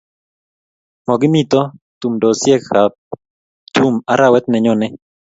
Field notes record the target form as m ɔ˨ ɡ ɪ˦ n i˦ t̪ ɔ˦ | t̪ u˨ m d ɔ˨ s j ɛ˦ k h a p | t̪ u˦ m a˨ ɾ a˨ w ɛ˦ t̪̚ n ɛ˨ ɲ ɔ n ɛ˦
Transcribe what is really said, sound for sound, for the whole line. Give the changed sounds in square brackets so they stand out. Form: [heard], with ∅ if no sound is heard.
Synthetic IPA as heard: m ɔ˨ ɡ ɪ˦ [m] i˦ t̪ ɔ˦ | t̪ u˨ m d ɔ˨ s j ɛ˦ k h a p | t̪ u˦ m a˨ ɾ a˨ w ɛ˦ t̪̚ n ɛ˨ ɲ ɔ n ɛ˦